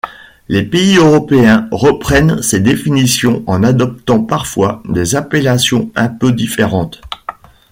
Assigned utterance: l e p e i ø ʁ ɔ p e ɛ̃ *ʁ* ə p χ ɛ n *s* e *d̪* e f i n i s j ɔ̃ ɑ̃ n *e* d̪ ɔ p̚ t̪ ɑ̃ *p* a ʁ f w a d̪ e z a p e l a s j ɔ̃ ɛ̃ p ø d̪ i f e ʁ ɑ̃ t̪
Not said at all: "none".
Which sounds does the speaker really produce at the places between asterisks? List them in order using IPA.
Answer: ʁ, s, d̪, a, p

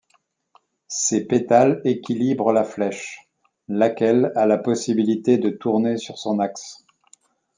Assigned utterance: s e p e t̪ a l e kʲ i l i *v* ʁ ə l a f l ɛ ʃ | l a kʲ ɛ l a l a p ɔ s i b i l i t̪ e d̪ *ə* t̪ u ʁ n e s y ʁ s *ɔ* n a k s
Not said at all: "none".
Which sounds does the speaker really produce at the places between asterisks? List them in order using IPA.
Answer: b, ə, ɔ̃

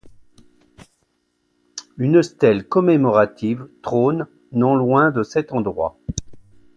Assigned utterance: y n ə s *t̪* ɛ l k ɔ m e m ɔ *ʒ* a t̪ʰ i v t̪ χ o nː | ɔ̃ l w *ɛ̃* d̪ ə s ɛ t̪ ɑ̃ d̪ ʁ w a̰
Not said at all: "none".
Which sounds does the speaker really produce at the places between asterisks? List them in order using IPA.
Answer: t̪, ʁ, ɛ̃

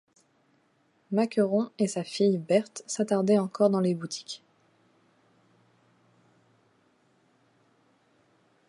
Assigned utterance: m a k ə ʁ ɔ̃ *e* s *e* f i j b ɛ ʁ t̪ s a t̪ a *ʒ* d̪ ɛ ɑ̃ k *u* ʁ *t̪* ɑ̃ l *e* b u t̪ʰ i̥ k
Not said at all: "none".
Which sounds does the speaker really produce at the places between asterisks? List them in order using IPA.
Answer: e, a, ʁ, ɔ, d̪, e

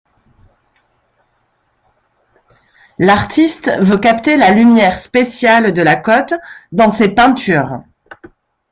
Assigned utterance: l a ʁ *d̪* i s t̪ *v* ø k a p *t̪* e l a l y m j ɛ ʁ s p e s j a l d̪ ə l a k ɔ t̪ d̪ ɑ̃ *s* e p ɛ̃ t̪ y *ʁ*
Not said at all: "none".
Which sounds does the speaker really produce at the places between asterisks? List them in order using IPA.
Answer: t̪, v, t̪, s, ʁ

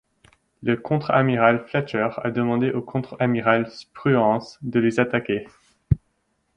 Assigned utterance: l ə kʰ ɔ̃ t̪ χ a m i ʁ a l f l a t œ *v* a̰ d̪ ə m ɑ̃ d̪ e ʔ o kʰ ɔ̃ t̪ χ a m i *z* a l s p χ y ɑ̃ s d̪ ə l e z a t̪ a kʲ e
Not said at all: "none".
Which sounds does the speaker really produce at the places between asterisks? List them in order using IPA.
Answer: ʁ, ʁ

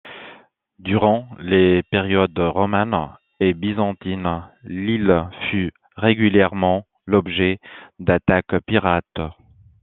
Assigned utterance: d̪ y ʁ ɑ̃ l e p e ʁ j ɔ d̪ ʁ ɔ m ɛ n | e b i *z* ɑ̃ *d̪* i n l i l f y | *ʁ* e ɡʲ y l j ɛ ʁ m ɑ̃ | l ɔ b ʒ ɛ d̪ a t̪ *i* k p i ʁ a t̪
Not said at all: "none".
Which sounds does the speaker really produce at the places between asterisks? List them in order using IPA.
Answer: z, t̪, ʁ, a

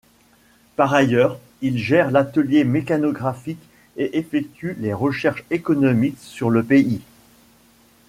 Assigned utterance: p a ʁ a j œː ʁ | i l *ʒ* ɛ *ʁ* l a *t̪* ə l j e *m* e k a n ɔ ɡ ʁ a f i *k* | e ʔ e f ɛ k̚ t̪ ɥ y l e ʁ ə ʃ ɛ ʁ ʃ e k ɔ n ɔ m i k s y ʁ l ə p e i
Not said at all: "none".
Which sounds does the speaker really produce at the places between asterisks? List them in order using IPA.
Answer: ʒ, ʁ, t̪, m, k

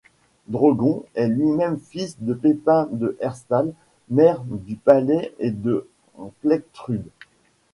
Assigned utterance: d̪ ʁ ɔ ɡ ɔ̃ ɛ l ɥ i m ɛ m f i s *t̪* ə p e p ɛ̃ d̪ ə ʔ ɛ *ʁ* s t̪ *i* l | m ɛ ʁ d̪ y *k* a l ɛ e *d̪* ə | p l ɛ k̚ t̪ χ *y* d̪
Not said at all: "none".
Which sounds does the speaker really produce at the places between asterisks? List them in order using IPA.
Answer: d̪, ʁ, a, p, d̪, y

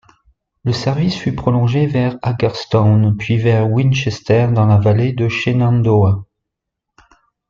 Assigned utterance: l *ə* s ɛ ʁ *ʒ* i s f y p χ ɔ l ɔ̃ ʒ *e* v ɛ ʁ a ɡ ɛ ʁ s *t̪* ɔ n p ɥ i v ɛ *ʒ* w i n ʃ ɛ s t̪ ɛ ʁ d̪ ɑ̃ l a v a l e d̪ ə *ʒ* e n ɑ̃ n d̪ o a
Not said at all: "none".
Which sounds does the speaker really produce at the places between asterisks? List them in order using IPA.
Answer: ə, v, e, t̪, ʁ, ʃ

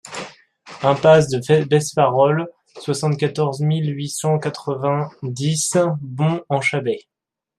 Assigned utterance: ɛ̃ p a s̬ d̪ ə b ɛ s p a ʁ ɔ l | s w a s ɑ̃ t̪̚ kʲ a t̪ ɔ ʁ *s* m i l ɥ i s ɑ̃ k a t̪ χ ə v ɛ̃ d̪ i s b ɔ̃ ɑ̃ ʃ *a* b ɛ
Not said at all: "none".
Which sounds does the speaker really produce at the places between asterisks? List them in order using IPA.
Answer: z, a

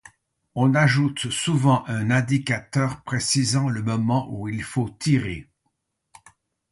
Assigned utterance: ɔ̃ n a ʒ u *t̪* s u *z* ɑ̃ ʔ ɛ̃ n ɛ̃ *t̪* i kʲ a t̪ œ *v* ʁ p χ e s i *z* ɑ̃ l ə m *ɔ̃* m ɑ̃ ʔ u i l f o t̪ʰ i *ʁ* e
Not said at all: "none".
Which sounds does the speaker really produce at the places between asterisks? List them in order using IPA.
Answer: t̪, v, d̪, none, z, ɔ, ʁ

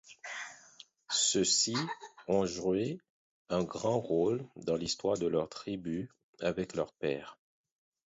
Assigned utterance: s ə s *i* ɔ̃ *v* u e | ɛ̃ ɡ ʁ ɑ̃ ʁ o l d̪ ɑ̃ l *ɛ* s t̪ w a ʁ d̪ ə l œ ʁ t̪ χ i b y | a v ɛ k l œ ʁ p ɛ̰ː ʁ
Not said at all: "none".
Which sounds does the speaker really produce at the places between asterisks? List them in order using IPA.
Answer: i, ʒ, i

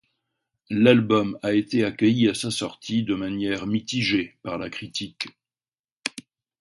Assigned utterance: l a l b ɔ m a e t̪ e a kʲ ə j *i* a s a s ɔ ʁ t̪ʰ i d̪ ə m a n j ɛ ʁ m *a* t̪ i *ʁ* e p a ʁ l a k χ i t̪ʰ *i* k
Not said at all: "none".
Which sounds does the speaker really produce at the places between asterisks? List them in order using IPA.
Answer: i, i, ʒ, i

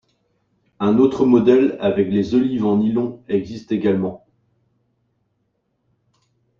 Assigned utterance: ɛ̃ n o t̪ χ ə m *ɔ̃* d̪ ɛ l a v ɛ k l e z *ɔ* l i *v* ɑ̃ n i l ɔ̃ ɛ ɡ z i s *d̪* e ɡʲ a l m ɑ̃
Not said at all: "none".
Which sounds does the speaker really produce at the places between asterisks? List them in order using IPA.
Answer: ɔ, ɔ, v, t̪

